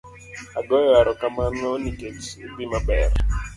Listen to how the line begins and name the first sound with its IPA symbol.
a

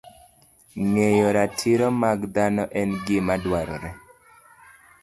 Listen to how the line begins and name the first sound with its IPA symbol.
ŋ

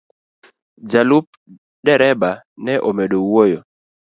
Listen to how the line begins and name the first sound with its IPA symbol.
d͡ʒ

